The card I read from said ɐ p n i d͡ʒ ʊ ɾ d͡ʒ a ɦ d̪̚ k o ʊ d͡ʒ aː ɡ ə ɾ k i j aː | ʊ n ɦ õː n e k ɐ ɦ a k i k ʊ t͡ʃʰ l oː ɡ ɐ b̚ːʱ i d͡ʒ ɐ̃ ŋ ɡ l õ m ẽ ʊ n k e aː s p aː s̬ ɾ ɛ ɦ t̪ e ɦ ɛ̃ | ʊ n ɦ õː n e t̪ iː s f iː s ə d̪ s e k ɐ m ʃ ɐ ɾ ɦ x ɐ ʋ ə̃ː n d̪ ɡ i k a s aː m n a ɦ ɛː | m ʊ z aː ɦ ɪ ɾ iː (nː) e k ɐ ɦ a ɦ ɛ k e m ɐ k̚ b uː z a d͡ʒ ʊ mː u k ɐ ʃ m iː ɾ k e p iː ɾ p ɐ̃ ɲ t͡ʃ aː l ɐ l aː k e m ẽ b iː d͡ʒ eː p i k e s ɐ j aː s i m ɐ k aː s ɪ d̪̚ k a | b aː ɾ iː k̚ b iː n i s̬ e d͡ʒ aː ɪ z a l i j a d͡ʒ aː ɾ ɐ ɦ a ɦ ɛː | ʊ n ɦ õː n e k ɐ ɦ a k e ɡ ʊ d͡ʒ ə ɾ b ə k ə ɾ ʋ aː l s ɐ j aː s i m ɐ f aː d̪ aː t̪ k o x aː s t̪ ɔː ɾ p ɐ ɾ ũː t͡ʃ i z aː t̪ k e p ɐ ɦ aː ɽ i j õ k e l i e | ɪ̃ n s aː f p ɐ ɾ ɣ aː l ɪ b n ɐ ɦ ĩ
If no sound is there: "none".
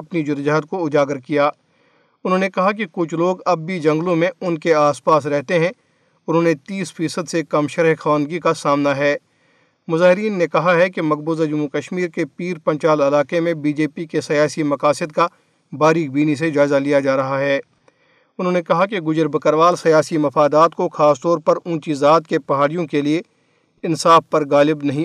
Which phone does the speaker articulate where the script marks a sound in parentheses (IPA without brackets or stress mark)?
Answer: nː